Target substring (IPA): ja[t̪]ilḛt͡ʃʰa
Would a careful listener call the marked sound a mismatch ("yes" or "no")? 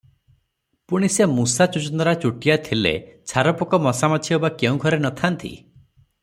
yes